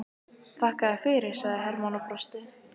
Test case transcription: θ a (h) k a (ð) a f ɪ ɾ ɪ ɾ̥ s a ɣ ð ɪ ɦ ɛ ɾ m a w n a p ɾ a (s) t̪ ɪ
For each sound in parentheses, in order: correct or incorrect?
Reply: correct, correct, correct

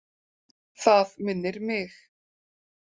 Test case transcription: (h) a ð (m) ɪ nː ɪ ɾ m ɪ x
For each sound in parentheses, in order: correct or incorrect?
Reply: incorrect, correct

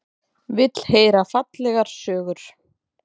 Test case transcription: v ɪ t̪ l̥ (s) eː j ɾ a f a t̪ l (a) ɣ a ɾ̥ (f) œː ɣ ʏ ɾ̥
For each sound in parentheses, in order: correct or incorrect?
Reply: incorrect, incorrect, incorrect

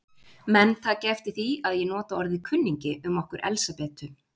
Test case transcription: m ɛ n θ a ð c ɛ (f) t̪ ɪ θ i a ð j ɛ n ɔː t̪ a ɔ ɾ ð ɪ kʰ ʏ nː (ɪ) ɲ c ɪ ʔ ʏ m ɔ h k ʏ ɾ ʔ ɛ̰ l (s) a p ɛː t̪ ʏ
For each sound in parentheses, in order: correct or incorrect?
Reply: correct, incorrect, correct

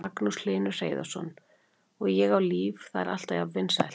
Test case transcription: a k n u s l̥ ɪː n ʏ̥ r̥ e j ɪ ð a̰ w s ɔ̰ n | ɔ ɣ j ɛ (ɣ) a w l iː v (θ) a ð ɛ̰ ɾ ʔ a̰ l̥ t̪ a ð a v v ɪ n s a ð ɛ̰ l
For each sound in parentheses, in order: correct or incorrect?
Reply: correct, correct

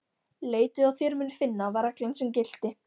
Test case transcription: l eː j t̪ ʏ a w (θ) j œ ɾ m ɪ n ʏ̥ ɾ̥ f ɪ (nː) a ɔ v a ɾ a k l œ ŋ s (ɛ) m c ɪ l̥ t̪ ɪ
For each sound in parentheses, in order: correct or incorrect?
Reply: correct, correct, correct

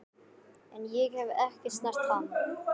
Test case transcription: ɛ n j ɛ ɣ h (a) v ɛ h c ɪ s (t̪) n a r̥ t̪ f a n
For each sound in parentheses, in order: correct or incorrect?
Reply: incorrect, correct

